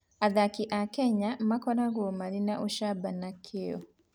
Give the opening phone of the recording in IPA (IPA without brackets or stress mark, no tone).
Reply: a